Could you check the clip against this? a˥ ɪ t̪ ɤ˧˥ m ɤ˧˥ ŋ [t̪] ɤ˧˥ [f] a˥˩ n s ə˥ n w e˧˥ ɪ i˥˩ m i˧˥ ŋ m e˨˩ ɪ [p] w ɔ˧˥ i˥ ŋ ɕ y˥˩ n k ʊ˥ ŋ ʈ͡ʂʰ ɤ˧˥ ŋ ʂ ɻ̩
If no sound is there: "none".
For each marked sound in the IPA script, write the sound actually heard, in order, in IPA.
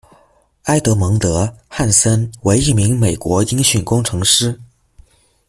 t̪, x, k

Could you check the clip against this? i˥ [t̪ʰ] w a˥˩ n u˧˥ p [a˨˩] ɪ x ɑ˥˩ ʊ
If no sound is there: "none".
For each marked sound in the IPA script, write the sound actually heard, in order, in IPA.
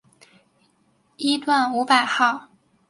t̪, a˨˩

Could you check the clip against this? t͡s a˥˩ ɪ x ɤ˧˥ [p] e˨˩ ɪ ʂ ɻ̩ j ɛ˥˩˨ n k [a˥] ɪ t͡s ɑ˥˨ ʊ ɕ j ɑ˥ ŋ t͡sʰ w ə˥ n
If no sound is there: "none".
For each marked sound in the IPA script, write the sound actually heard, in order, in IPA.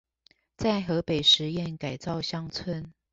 p, a˨˩

